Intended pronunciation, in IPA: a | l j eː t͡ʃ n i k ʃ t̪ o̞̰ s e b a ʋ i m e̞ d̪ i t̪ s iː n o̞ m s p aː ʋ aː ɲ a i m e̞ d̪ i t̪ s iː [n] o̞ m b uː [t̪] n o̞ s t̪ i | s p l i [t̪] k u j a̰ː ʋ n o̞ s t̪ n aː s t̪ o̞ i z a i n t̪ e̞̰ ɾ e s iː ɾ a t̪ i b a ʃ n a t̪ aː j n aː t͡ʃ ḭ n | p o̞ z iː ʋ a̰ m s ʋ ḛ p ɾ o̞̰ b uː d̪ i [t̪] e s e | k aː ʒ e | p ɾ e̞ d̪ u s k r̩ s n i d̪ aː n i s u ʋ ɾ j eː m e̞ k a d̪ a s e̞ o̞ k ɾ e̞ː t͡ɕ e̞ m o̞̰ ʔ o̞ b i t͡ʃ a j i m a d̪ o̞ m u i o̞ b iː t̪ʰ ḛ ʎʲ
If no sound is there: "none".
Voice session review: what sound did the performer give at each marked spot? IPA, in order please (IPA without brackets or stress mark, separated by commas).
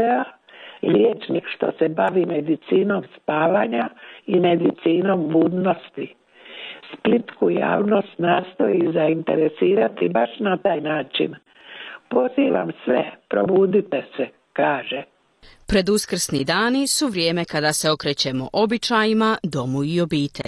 n, d̪, t̪, t̪